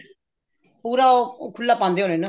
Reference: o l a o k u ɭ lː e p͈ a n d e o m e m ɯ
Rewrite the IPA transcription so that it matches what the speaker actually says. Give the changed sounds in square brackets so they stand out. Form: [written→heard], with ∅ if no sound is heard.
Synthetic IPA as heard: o [l→ɾ] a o k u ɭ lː [e→a] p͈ a n d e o [m→n] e [m→n] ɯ